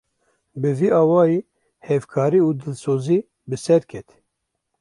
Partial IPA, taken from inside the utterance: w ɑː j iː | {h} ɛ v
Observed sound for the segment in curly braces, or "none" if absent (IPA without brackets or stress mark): h